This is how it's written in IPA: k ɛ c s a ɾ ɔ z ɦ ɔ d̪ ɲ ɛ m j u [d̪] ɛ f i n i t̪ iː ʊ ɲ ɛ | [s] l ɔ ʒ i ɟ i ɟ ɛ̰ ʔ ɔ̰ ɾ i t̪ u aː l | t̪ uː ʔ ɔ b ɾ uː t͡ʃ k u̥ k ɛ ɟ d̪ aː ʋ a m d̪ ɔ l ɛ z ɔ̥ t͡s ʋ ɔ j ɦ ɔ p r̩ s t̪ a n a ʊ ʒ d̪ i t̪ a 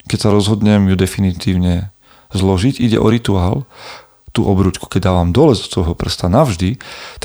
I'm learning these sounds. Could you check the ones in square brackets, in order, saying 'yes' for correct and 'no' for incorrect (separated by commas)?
yes, no